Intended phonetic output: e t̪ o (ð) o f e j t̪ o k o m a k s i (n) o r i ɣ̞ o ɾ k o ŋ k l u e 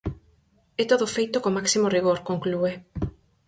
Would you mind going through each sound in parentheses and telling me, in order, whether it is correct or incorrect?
correct, incorrect: m

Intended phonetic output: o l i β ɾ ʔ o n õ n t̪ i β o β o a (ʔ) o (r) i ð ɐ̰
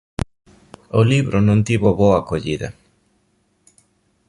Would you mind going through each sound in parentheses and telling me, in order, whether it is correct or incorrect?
incorrect: k, incorrect: ʎ

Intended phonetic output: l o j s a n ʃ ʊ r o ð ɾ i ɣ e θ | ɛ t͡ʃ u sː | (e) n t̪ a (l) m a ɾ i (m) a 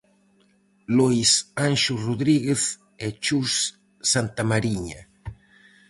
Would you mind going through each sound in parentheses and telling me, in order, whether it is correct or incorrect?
incorrect: a, incorrect: none, incorrect: ɲ

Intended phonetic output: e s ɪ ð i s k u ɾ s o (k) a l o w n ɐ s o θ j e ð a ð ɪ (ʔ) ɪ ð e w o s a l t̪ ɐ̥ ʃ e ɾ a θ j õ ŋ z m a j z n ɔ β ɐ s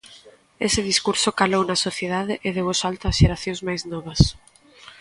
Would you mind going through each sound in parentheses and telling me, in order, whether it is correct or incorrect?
correct, correct

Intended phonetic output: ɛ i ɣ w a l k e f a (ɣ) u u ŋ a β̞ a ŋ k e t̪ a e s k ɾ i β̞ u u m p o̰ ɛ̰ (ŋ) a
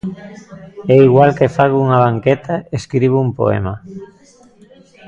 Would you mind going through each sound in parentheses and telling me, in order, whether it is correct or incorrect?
correct, incorrect: m

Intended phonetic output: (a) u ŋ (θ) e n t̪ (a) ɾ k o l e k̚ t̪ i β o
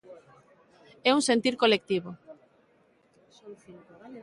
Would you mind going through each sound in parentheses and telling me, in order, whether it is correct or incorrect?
incorrect: ɛ, incorrect: s, incorrect: i

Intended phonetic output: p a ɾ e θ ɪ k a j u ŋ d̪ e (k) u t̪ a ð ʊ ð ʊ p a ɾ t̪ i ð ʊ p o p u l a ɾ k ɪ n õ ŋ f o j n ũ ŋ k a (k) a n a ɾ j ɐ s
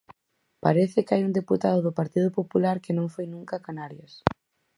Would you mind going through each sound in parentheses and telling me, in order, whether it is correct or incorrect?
incorrect: p, correct

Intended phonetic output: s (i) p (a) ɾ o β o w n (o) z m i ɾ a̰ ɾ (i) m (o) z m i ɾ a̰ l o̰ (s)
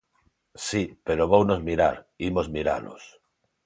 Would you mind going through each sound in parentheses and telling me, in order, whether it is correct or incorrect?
correct, incorrect: e, correct, correct, correct, correct

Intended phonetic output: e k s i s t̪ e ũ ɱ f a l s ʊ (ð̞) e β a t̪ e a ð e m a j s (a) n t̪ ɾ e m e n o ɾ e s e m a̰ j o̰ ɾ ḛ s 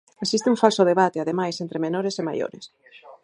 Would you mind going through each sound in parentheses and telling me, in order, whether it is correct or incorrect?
correct, incorrect: e

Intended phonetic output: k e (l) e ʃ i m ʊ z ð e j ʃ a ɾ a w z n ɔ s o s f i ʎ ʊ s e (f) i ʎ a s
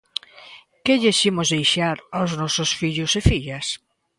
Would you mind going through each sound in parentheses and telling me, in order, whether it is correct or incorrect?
incorrect: ʎ, correct

